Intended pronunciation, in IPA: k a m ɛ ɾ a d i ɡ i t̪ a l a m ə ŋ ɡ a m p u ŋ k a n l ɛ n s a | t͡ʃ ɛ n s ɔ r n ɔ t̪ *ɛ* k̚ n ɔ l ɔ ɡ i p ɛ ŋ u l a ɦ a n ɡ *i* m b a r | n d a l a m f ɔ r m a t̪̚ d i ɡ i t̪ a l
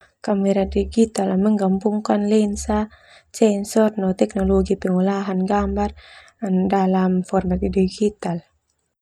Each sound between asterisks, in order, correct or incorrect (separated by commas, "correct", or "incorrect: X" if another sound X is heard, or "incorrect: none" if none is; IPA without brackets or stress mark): correct, incorrect: a